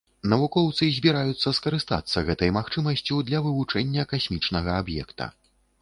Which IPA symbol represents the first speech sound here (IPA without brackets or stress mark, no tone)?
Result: n